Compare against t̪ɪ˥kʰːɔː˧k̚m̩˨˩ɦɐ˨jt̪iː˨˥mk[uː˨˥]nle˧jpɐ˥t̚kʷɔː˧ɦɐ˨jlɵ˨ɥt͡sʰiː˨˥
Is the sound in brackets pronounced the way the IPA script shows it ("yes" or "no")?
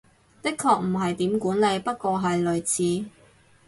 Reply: yes